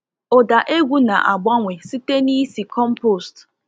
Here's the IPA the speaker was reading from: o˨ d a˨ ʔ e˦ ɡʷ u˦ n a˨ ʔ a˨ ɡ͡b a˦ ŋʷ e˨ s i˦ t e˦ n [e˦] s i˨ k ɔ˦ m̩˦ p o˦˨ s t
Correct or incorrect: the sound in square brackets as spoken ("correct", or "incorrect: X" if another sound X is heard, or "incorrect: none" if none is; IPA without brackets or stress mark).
incorrect: i˦